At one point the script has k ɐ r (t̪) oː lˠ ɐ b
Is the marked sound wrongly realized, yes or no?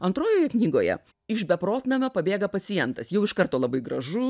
no